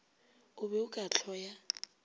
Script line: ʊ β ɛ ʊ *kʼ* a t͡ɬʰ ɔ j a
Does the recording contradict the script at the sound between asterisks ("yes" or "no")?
no